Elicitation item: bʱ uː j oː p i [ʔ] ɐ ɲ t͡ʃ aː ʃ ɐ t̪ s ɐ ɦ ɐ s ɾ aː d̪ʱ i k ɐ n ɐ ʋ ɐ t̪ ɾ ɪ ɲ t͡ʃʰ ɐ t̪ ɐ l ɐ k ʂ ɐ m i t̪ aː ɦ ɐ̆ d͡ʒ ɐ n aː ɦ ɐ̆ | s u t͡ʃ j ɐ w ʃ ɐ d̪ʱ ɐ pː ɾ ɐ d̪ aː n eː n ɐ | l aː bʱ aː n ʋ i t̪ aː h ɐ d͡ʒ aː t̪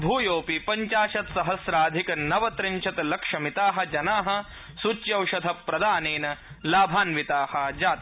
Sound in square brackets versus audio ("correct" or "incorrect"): incorrect